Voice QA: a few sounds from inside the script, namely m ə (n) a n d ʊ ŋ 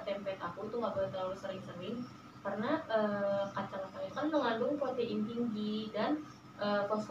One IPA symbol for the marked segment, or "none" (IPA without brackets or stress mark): ŋ